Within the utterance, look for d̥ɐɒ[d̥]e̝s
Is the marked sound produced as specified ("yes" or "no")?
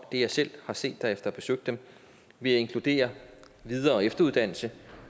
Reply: no